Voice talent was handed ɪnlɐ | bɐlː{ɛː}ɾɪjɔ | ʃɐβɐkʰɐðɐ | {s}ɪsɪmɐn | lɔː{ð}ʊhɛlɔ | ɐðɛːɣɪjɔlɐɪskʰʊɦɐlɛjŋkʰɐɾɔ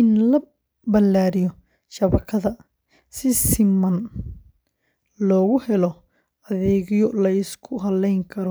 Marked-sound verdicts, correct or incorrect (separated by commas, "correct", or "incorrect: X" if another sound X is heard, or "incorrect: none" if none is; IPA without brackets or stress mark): incorrect: aː, correct, incorrect: ɣ